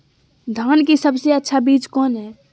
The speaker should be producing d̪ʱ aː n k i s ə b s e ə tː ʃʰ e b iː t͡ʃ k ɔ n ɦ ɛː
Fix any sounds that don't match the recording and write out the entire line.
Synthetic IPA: d̪ʱ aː n k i s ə b s e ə tː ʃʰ a b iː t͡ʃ k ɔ n ɦ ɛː

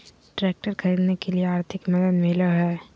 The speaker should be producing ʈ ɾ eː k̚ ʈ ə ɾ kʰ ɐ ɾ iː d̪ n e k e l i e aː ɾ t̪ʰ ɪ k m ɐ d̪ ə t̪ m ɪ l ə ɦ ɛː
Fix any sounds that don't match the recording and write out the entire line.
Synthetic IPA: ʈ ɾ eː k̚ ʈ ə ɾ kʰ ɐ ɾ iː d̪ n e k e l i e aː ɾ t̪ʰ ɪ k m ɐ d̪ ə d̪ m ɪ l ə ɦ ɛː

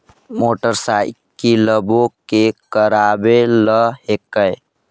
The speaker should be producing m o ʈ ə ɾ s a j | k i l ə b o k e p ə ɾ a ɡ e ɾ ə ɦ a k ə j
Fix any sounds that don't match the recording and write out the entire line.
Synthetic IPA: m o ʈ ə ɾ s a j | k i l ə b o k e k ə ɾ a b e l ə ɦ e k ə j

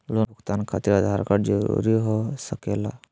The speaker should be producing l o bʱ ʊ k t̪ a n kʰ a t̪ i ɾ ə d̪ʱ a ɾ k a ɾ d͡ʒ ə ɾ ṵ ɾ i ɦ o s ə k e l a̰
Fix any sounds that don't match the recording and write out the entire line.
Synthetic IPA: l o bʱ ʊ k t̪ a n kʰ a t̪ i ɾ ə d̪ʱ a ɾ k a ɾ d͡ʒ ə ɾ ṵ ɾ i ɦ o s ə k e l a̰

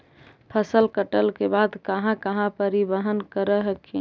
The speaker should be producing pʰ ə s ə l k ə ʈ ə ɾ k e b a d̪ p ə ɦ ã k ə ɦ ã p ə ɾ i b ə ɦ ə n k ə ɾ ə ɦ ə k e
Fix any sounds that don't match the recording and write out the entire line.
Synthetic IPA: pʰ ə s ə l k ə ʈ ə l k e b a d̪ k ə ɦ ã k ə ɦ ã p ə ɾ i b ə ɦ ə n k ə ɾ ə ɦ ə k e

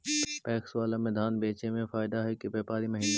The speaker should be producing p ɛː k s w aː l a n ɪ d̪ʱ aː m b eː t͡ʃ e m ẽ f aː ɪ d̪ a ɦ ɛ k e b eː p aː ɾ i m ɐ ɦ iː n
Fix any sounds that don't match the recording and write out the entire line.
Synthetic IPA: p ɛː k s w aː l a m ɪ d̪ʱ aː n b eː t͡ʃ e m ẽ f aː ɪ d̪ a ɦ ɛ k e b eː p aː ɾ i m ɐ ɦ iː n

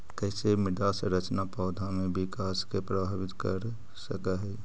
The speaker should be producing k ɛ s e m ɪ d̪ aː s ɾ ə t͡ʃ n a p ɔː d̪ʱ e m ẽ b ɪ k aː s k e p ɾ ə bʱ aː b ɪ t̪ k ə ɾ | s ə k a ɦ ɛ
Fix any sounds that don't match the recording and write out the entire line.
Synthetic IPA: k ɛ s e m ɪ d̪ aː s ɾ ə t͡ʃ n a p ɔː d̪ʱ a m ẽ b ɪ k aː s k e p ɾ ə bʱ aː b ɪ t̪ k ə ɾ | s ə k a ɦ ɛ

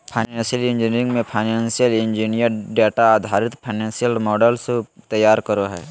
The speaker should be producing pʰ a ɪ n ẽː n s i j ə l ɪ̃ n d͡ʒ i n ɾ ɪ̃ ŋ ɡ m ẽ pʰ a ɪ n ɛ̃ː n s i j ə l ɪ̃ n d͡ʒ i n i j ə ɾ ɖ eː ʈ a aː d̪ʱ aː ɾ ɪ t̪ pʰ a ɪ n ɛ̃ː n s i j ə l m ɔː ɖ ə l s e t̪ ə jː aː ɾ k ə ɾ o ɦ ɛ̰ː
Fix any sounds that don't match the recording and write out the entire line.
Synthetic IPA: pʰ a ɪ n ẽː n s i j ə l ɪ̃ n d͡ʒ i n ɾ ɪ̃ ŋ ɡ m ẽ pʰ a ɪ n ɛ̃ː n s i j ə l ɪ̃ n d͡ʒ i n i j ə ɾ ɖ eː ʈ a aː d̪ʱ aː ɾ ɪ t̪ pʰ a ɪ n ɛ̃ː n s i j ə l m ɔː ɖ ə l s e t̪ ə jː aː ɾ k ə ɾ o ɦ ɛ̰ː

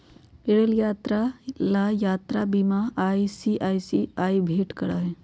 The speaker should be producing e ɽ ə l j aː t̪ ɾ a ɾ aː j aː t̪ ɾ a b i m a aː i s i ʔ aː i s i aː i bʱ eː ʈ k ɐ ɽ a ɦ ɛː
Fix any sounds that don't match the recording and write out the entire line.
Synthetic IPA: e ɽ ə l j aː t̪ ɾ a l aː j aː t̪ ɾ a b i m a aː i s i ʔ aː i s i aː i bʱ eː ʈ k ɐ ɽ a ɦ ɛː

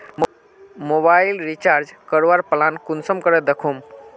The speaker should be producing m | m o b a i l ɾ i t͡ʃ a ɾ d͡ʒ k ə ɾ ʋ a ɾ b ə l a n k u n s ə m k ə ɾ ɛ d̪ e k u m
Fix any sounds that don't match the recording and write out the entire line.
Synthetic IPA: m | m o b a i l ɾ i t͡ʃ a ɾ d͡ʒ k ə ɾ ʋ a ɾ p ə l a n k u n s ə m k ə ɾ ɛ d̪ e kʰ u m

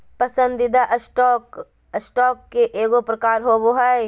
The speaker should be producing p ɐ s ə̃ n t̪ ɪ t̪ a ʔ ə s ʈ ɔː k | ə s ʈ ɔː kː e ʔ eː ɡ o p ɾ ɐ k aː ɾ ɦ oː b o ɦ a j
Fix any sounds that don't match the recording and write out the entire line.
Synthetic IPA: p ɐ s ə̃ n d̪ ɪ d̪ a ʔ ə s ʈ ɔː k | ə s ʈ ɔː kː e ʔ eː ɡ o p ɾ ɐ k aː ɾ ɦ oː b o ɦ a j

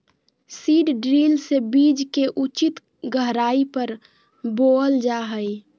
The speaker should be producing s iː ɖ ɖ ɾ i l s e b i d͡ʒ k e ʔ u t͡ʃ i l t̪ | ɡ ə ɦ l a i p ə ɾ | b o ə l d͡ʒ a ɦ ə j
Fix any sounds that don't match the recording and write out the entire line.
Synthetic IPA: s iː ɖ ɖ ɾ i l s e b i d͡ʒ k e ʔ u t͡ʃ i t̪ | ɡ ə ɦ ɾ a i p ə ɾ | b o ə l d͡ʒ a ɦ ə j

